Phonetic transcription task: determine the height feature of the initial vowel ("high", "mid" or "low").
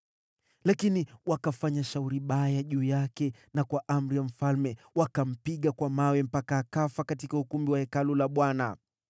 low